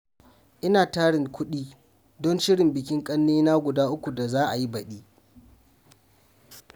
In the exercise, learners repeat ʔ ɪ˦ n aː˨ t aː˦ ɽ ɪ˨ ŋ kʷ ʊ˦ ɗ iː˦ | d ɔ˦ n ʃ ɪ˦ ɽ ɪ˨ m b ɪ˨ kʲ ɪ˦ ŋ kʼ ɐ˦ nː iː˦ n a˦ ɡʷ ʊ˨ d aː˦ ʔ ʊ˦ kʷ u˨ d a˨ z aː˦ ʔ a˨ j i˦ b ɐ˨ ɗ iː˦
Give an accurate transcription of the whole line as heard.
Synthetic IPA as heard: ʔ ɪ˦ n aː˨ t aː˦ ɽ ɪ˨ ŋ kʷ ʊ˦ ɗ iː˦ | d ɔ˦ n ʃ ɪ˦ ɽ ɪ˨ m b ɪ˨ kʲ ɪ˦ ŋ kʼ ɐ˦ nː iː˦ n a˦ ɡʷ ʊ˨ d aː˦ ʔ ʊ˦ kʷ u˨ d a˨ z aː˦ ʔ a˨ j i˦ b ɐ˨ ɗ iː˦

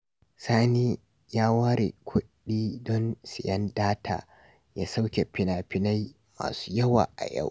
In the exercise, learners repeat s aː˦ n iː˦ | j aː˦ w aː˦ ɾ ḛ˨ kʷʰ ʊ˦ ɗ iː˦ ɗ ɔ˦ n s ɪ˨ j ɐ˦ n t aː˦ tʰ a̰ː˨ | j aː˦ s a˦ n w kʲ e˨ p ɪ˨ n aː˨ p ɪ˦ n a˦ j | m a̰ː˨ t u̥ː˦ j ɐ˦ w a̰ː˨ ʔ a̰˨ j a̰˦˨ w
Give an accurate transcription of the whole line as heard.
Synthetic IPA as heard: s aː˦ n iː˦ | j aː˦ w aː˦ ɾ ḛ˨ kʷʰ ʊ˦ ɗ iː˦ d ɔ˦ n s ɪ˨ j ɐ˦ n d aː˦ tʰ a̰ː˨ | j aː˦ s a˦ w kʲ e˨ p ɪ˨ n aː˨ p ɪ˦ n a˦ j | m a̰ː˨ s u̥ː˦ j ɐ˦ w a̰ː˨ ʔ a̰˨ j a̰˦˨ w

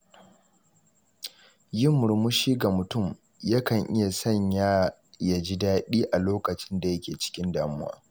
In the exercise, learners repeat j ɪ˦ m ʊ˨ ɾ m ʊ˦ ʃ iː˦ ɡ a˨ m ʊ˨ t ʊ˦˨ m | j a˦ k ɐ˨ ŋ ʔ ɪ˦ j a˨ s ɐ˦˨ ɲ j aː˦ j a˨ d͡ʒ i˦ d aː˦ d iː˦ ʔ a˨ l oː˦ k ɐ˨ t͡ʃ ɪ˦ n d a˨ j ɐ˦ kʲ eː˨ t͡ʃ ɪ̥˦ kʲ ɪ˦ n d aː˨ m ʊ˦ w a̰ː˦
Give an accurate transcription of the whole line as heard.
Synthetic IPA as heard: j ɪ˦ m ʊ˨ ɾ m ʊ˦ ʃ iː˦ ɡ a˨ m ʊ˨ t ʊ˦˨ m | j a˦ k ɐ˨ ŋ ʔ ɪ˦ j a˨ s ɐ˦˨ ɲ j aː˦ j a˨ d͡ʒ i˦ d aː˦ ɗ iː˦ ʔ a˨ l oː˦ k ɐ˨ t͡ʃ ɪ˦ n d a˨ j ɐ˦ kʲ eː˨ t͡ʃ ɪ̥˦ kʲ ɪ˦ n d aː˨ m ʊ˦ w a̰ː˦

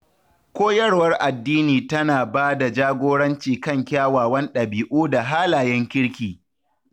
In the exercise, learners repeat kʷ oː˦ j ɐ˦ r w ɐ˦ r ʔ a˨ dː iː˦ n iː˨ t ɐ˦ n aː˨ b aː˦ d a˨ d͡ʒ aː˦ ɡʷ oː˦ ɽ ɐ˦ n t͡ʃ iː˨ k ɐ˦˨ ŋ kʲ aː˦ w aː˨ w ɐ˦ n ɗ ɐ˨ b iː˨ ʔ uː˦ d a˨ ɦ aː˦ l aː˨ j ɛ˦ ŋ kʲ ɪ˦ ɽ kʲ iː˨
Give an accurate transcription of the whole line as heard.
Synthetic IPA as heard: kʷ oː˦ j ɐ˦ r w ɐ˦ r ʔ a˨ dː iː˦ n iː˨ t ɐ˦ n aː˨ b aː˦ d a˨ d͡ʒ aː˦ ɡʷ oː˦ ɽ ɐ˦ n t͡ʃ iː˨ k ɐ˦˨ ŋ kʲ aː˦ w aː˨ w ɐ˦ n ɗ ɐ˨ b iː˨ ʔ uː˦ d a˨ ɦ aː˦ l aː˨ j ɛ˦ ŋ kʲ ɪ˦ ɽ kʲ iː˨

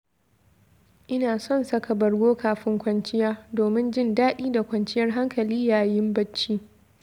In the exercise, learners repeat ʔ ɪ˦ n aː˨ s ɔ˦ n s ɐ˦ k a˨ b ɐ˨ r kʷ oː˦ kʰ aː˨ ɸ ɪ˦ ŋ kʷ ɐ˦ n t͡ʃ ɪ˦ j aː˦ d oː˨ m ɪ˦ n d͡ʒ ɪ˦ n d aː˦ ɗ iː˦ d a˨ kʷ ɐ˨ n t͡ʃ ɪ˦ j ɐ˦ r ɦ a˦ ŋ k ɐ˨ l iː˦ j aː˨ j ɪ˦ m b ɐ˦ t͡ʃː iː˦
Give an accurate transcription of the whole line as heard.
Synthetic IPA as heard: ʔ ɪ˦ n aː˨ s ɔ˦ n s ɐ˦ k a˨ b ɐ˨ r ɡʷ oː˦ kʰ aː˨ ɸ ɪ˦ ŋ kʷ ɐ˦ n t͡ʃ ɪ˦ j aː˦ d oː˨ m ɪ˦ n d͡ʒ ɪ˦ n d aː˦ ɗ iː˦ d a˨ kʷ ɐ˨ n t͡ʃ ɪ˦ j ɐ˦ r ɦ a˦ ŋ k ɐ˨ l iː˦ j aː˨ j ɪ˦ m b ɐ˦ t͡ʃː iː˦

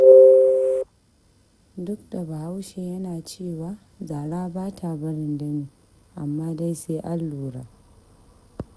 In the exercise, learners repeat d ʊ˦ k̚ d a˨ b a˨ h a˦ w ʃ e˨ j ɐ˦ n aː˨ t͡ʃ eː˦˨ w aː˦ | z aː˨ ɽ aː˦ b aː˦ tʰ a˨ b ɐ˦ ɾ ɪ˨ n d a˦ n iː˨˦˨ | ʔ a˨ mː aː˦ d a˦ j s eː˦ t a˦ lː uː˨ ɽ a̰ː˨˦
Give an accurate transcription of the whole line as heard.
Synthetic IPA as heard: d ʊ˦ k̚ d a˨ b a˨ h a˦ w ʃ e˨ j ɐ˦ n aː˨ t͡ʃ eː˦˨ w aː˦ | z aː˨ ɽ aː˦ b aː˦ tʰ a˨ b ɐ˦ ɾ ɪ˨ n d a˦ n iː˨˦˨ | ʔ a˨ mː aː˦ d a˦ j s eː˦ ʔ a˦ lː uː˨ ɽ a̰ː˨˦

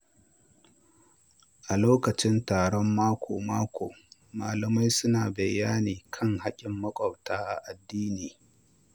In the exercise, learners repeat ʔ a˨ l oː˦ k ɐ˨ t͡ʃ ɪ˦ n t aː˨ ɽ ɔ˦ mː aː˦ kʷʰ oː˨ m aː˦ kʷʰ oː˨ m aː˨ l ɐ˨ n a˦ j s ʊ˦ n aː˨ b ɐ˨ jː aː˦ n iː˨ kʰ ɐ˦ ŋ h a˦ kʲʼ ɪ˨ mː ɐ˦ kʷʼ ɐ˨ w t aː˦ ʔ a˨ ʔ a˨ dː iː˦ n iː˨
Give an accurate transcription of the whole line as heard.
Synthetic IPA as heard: ʔ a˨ l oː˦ k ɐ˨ t͡ʃ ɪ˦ n t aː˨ ɽ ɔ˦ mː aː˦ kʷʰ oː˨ m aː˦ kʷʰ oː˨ m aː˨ l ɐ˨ m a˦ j s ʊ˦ n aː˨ b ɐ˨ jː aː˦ n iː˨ kʰ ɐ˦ ŋ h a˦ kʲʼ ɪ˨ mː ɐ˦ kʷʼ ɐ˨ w t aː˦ ʔ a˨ ʔ a˨ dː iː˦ n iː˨

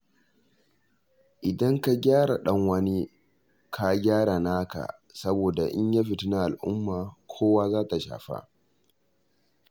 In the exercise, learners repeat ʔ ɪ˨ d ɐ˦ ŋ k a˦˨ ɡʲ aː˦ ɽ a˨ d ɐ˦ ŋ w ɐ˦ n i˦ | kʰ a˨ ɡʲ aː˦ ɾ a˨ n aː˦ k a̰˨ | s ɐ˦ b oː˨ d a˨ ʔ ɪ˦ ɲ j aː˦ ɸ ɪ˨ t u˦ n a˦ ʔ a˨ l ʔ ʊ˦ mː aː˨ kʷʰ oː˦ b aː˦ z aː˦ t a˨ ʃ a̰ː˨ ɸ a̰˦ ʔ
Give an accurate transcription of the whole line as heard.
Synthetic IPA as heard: ʔ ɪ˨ d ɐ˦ ŋ k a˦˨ ɡʲ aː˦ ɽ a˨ ɗ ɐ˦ ŋ w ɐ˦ n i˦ | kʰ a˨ ɡʲ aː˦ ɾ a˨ n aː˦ k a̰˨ | s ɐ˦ b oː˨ d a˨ ʔ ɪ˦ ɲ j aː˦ ɸ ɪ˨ t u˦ n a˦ ʔ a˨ l ʔ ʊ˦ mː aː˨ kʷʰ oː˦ w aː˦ z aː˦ t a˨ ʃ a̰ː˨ ɸ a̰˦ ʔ

